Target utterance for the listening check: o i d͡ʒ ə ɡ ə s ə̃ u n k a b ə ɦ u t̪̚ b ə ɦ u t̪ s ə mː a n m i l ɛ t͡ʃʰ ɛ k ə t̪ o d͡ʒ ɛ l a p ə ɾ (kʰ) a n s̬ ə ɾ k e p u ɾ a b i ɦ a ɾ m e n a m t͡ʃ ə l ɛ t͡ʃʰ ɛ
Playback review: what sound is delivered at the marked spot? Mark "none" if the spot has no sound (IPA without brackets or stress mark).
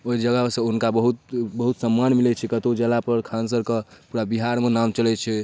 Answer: kʰ